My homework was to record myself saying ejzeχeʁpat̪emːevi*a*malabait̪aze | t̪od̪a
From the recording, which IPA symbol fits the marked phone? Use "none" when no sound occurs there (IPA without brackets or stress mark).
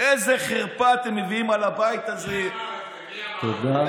i